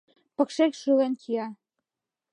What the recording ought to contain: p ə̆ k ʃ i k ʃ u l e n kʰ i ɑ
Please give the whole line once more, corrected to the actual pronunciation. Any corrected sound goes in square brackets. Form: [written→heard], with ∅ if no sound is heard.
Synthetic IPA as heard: p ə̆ k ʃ [i→e] k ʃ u l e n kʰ i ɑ